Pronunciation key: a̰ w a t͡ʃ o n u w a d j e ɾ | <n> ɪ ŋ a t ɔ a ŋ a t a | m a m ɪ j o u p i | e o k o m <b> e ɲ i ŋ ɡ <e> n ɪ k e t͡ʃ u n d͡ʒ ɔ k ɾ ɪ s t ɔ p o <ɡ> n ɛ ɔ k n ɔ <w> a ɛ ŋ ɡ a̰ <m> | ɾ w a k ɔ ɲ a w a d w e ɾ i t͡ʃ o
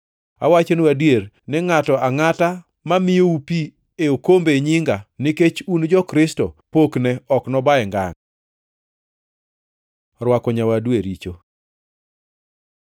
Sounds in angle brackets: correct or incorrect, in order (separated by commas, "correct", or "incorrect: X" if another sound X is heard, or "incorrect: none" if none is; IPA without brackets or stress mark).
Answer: correct, correct, incorrect: a, incorrect: k, incorrect: b, incorrect: ŋ